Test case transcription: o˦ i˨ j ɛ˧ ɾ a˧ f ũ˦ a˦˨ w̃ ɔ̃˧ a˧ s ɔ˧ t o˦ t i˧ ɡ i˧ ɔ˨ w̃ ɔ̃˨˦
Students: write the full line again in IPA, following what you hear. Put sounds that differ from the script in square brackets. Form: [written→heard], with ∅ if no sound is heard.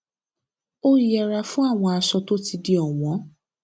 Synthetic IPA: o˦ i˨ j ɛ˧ ɾ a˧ f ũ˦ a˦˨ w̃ ɔ̃˧ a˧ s ɔ˧ t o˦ t i˧ [ɡ→d] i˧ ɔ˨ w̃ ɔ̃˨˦